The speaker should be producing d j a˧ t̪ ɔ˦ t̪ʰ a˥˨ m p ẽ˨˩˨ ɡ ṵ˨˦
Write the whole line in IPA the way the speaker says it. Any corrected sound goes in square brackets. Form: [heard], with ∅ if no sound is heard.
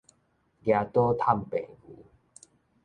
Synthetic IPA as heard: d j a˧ t̪ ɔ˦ t̪ʰ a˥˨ m p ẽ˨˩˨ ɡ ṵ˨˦

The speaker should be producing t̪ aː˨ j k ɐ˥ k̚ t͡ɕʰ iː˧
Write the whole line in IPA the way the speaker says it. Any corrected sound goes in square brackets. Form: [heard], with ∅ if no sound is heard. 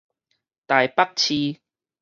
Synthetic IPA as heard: t̪ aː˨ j [p] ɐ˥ k̚ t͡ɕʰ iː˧

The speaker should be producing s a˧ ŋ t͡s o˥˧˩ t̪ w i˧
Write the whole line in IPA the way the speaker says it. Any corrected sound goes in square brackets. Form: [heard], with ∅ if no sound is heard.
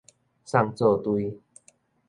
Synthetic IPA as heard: s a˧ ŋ t͡s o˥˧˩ t̪ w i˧

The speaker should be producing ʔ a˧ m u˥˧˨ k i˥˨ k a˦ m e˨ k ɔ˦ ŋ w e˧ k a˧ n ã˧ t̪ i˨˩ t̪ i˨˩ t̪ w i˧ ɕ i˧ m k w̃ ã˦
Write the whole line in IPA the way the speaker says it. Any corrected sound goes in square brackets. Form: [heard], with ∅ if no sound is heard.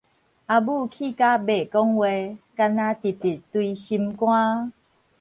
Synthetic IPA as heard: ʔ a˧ [b] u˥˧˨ [kʰ] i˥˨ k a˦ [b] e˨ k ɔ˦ ŋ w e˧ k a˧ n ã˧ t̪ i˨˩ t̪ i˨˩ t̪ w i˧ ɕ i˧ m k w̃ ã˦

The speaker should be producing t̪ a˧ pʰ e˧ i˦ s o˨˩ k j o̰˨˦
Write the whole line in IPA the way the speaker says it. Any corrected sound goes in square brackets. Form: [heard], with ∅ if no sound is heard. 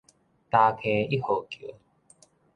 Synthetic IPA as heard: t̪ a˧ [kʰ] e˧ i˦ [h] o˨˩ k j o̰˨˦

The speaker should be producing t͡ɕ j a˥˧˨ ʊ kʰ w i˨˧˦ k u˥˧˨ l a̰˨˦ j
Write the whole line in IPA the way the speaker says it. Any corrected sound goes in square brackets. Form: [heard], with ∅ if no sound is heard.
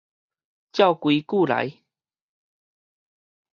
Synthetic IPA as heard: t͡ɕ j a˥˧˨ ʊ [k] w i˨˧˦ k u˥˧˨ l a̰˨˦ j

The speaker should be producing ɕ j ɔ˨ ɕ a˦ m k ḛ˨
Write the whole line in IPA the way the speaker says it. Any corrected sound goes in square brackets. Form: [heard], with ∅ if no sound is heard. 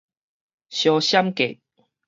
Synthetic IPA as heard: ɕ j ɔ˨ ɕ a˦ m k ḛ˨

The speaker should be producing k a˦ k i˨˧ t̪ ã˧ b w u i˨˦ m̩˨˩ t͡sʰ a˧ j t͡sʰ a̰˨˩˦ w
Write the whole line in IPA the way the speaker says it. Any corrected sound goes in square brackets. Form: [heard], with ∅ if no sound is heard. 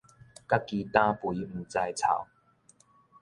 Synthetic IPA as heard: k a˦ k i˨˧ t̪ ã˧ [p] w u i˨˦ m̩˨˩ [t͡s] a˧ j t͡sʰ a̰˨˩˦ w

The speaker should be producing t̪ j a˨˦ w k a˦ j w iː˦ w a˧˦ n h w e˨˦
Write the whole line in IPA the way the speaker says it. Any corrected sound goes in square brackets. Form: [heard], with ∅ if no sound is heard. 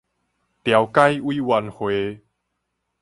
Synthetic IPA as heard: t̪ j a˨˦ w k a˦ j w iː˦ w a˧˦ n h w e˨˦

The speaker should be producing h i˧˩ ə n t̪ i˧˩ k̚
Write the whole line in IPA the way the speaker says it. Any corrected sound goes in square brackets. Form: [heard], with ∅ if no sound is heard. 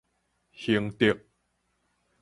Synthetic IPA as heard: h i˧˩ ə [ŋ] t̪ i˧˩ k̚

